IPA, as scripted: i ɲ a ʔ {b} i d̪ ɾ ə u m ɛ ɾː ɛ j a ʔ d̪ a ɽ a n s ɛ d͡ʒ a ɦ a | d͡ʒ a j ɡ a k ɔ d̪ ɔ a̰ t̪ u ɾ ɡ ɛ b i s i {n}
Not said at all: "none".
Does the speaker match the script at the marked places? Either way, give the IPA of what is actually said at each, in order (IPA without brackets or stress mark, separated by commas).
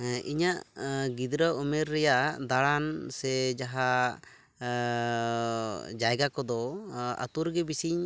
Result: ɡ, ɲ